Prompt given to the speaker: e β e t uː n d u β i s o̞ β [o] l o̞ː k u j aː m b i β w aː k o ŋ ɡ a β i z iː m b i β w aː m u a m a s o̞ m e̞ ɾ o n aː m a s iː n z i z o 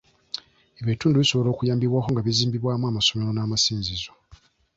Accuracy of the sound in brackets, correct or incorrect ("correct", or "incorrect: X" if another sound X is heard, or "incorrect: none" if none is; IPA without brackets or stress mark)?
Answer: correct